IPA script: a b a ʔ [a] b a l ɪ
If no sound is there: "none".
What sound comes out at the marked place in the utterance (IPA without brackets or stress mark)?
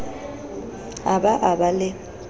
a